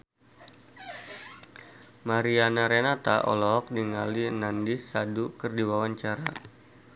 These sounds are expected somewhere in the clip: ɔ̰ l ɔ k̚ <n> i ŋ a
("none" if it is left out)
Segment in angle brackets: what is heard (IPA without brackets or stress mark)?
d